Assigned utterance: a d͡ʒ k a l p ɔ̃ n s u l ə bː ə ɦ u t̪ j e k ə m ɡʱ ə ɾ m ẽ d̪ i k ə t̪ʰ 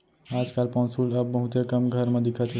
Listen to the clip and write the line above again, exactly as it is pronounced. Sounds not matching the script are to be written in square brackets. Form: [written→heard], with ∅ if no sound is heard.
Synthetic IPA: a d͡ʒ k a l p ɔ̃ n s u l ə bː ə ɦ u t̪ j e k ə m ɡʱ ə ɾ m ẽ d̪ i [k→kʰ] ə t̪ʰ